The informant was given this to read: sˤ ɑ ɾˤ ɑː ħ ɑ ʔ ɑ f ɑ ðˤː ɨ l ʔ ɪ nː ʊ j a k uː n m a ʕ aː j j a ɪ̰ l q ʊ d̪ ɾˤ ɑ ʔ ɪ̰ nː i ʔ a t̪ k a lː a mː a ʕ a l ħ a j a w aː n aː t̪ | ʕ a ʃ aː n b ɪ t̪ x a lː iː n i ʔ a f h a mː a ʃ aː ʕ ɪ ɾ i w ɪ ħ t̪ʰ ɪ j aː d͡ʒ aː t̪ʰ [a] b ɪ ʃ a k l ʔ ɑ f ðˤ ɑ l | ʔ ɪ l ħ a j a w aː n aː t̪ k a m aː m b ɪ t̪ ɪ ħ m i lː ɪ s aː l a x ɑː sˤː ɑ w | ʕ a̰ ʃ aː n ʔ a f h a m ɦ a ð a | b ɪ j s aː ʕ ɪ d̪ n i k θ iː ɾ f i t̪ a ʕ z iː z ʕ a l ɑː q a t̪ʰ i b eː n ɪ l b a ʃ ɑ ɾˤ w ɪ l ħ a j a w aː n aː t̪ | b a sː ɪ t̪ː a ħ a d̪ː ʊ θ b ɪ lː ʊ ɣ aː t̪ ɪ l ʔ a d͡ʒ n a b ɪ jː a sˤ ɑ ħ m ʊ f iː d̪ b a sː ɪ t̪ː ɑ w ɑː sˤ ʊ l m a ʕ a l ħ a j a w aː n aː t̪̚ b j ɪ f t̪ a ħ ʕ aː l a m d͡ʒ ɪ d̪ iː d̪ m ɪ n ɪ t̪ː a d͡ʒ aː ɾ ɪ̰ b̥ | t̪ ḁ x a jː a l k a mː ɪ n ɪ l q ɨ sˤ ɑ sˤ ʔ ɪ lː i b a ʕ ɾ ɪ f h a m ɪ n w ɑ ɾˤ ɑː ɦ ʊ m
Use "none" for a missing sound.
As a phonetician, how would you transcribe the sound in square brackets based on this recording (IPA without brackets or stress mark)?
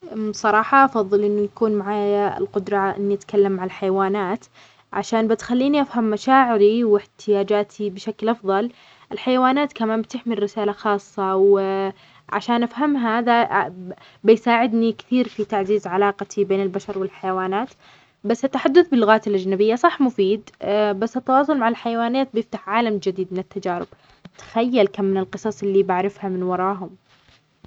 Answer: i